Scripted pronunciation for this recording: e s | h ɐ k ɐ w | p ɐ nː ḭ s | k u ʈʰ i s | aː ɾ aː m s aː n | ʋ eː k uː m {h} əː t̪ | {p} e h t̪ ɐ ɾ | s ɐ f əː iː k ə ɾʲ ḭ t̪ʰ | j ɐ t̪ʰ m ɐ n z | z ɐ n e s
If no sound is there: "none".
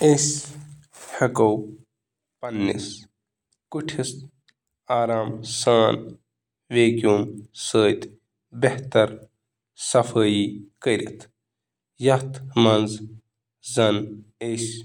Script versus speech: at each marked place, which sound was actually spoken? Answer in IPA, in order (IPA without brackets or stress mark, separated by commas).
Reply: s, b